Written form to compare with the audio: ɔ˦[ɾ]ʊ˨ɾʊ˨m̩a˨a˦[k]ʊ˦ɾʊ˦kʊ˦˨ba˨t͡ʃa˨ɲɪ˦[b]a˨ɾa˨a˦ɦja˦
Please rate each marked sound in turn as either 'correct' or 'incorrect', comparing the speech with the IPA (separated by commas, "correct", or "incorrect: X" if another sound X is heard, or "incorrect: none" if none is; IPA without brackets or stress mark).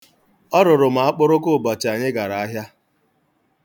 correct, incorrect: k͡p, incorrect: ɡ